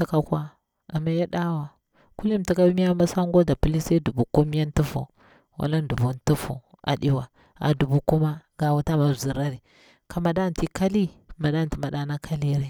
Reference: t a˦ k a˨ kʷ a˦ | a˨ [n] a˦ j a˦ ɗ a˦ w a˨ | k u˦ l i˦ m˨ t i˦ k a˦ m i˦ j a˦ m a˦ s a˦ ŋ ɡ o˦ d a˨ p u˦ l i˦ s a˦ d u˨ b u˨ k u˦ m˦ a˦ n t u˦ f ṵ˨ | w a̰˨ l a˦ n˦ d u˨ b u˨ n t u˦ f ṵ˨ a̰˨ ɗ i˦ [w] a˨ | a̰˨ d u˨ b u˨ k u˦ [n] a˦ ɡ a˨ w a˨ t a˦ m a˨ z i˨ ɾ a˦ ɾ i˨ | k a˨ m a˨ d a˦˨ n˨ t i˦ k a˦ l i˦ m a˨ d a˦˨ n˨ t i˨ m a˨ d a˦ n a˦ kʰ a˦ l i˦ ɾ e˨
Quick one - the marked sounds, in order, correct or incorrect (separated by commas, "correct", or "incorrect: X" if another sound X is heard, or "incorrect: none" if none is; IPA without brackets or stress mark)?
incorrect: m, correct, incorrect: m